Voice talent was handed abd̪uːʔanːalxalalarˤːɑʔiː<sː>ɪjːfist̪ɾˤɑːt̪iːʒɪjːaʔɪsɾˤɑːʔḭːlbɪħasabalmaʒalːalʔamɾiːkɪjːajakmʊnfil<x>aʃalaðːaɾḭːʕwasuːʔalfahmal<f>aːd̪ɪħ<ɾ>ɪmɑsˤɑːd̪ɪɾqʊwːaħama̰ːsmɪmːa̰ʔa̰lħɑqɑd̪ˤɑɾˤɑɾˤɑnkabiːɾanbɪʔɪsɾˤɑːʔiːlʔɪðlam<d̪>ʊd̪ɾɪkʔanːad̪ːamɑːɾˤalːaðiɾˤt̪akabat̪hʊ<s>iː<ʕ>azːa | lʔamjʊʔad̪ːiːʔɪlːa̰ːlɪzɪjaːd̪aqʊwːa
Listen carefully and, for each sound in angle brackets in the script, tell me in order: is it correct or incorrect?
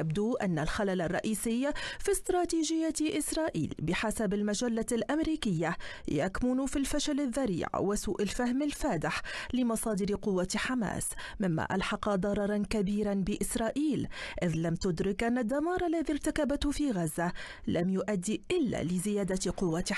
incorrect, incorrect, correct, incorrect, incorrect, incorrect, incorrect

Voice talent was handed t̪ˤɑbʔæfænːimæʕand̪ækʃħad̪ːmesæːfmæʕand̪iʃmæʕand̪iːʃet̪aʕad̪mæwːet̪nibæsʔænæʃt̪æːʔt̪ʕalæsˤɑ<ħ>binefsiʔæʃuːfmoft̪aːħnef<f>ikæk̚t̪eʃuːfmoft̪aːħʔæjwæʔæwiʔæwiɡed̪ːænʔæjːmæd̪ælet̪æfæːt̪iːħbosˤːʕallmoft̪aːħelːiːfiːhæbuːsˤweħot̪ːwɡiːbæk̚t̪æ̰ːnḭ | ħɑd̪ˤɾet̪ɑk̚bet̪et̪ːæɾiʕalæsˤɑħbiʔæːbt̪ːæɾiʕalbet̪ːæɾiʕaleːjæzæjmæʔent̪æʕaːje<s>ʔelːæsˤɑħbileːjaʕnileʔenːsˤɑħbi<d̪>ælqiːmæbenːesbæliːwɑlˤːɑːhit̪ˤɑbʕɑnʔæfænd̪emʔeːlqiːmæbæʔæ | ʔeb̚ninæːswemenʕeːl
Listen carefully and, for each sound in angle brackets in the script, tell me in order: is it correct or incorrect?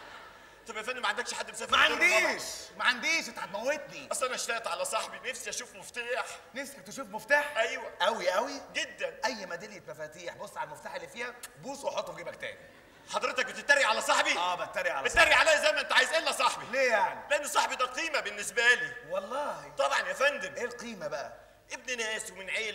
correct, incorrect, incorrect, correct

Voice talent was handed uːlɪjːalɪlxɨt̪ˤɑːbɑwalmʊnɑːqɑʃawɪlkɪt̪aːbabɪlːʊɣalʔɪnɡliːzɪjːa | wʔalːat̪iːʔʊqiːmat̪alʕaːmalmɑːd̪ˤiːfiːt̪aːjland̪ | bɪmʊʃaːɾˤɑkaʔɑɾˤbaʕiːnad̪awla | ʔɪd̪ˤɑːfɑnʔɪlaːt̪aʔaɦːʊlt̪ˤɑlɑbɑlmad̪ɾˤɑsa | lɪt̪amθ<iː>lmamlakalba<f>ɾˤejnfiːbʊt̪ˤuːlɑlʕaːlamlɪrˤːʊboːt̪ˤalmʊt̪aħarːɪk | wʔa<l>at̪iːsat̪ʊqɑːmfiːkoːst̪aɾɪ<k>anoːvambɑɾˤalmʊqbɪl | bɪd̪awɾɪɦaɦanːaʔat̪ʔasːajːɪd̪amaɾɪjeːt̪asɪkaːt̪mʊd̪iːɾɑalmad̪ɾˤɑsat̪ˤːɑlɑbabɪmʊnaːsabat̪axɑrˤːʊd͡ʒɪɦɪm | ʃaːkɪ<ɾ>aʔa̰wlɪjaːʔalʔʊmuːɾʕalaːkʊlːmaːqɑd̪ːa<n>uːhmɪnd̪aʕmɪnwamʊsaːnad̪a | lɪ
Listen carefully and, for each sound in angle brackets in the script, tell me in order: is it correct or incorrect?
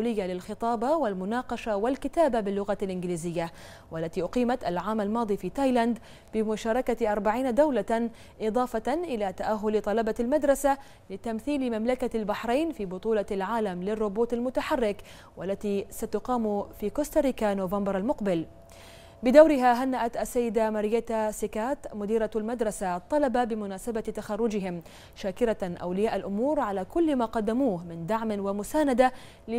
correct, incorrect, incorrect, correct, correct, incorrect

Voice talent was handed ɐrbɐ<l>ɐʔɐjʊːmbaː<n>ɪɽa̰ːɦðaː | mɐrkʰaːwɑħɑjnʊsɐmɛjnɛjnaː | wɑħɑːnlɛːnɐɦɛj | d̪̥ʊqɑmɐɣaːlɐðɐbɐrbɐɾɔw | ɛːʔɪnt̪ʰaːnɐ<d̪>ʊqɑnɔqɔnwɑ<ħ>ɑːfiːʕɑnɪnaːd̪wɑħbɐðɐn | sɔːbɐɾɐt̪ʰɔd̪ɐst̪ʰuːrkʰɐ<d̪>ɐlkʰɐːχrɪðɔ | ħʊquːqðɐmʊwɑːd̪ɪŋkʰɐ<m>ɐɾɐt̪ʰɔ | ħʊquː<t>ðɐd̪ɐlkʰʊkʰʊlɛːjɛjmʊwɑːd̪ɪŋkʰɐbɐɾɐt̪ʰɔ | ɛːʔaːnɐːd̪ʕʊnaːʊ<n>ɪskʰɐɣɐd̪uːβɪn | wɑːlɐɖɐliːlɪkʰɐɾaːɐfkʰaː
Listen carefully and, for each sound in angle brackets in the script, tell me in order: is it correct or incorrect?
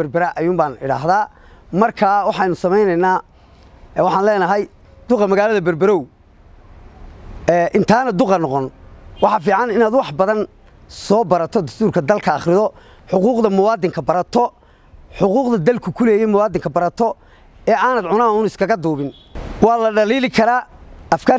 incorrect, correct, correct, correct, correct, incorrect, incorrect, correct

